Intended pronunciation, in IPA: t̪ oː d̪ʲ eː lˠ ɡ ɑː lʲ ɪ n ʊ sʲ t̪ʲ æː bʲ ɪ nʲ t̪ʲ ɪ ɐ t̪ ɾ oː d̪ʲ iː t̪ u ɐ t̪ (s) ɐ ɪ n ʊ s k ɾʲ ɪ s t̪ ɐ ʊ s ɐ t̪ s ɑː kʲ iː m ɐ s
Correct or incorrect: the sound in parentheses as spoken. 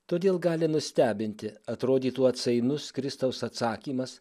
correct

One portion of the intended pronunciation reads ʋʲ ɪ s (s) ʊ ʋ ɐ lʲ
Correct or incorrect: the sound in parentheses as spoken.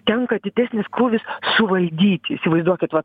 correct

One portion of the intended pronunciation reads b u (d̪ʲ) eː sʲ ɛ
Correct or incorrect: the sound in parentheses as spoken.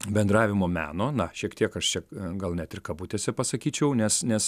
incorrect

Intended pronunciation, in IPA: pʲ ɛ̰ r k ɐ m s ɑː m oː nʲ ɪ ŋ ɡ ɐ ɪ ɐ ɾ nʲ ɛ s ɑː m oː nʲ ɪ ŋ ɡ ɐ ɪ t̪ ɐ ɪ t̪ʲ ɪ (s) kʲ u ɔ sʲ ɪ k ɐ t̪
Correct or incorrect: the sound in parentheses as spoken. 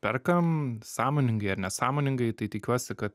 incorrect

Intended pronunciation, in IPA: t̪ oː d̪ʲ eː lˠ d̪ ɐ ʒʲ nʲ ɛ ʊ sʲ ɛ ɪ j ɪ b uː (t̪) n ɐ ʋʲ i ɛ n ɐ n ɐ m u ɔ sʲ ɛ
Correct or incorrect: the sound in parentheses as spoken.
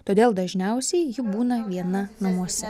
incorrect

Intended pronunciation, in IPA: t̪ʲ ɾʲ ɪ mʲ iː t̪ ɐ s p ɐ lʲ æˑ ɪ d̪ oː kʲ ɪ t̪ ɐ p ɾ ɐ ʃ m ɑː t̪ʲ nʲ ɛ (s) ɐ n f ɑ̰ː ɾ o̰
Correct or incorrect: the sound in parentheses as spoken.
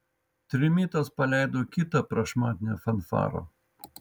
incorrect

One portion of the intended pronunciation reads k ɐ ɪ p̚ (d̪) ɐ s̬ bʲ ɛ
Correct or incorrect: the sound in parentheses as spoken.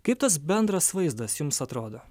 incorrect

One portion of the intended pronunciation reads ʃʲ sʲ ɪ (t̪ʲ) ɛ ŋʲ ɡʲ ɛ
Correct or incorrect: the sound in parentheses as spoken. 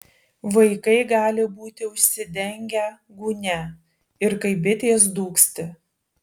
incorrect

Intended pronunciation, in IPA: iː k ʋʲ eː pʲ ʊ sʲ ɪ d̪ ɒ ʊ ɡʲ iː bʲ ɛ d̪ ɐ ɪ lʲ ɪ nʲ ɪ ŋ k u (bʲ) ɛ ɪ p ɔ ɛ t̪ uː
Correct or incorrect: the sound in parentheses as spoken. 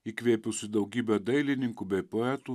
correct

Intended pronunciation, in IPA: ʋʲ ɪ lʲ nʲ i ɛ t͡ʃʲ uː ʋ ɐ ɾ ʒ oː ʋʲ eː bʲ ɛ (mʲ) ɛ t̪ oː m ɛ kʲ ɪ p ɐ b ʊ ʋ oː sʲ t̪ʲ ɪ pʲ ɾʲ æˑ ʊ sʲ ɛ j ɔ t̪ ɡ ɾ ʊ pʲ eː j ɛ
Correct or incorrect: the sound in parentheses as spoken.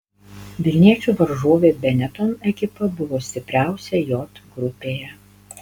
incorrect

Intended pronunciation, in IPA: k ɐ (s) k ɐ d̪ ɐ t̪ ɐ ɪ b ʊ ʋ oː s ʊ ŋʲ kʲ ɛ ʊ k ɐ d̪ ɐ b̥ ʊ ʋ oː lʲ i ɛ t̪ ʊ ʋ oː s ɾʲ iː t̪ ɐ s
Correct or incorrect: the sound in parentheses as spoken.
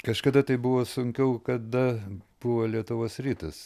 incorrect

